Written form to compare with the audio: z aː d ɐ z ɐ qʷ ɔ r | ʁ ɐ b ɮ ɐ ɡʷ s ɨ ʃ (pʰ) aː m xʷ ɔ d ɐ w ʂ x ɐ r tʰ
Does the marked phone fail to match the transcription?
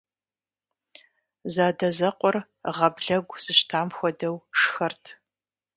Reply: yes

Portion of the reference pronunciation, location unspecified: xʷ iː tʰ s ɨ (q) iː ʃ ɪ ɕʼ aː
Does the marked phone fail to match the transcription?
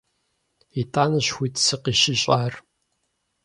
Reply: no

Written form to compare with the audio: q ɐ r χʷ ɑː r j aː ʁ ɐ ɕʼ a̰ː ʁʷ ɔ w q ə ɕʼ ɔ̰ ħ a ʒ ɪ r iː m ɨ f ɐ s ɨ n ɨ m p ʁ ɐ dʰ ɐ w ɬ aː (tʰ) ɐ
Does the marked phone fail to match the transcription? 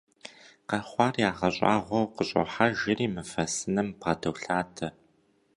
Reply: no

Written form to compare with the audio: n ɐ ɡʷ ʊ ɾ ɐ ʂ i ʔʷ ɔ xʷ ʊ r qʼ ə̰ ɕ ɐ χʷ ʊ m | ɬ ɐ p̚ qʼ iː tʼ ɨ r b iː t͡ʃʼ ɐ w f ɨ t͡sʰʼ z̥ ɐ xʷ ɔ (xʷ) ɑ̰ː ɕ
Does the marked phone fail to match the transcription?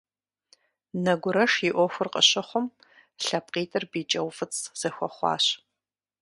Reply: yes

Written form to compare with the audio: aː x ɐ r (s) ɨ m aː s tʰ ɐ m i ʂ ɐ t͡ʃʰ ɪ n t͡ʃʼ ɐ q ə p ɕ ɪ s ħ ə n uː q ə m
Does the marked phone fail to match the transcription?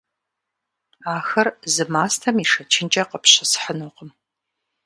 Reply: yes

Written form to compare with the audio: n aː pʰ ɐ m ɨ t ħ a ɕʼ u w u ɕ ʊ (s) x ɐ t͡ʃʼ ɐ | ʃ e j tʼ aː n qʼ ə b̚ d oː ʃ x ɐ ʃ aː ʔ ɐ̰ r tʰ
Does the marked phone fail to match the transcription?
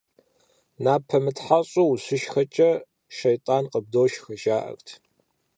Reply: yes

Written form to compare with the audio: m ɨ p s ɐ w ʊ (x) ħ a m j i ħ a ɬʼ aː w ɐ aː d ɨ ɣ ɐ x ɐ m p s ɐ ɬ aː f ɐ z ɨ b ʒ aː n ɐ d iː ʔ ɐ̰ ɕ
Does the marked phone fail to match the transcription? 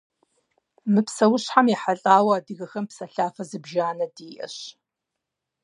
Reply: yes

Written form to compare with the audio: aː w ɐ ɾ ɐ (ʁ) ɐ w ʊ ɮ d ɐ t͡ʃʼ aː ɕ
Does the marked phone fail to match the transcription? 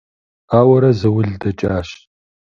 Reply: yes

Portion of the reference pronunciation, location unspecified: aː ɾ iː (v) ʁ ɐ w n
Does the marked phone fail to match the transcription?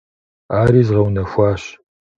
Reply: yes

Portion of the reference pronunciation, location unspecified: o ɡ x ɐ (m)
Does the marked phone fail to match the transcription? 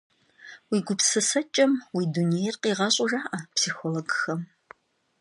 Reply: no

